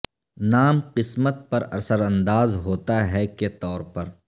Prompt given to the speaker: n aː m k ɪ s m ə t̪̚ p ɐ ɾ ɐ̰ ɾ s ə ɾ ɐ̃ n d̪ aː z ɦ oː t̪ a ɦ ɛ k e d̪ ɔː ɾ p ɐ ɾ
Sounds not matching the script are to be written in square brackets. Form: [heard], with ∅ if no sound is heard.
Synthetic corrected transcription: n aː m [q] ɪ s m ə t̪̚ p ɐ ɾ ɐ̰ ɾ s ə ɾ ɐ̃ n d̪ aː z ɦ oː t̪ a ɦ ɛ k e [t̪] ɔː ɾ p ɐ ɾ